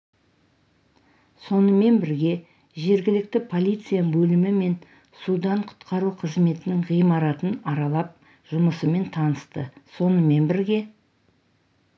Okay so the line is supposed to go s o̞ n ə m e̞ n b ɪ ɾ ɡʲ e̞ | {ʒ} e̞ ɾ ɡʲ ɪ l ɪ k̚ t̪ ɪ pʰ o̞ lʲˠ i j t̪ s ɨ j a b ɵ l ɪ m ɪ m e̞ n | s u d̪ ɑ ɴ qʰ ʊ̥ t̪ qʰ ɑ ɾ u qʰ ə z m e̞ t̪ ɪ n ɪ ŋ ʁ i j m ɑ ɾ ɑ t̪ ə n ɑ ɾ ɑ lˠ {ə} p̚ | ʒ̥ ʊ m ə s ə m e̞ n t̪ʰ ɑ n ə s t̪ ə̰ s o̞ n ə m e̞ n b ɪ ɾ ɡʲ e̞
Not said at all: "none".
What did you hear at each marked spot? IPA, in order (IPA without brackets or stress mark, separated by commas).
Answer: ʒ, ɑ